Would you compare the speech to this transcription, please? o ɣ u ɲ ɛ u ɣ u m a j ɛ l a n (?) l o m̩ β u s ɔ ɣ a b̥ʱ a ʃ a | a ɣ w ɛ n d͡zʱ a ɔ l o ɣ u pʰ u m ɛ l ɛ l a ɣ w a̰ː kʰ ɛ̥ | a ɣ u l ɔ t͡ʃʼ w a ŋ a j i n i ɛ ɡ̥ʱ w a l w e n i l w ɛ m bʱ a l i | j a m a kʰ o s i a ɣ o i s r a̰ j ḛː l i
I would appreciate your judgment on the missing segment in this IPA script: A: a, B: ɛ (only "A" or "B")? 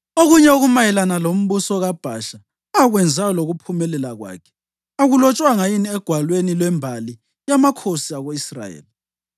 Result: A